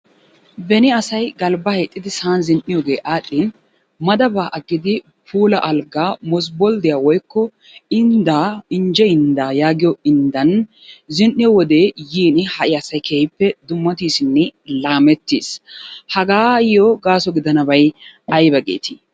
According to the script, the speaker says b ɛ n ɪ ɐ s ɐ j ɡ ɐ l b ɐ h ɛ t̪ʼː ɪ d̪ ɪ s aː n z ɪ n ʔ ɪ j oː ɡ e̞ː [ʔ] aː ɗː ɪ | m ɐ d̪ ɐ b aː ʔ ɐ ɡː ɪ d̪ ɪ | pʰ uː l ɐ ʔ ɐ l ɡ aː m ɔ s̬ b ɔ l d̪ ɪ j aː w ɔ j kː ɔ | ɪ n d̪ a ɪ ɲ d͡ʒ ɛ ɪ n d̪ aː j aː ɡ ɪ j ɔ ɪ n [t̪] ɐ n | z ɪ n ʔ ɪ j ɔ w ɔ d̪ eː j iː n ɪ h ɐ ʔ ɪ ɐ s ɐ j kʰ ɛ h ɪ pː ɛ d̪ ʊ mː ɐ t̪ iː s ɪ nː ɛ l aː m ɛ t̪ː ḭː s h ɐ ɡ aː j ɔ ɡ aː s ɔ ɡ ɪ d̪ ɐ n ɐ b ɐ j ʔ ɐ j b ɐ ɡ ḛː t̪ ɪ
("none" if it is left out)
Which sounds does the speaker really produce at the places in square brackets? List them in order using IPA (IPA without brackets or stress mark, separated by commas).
ʔ, d̪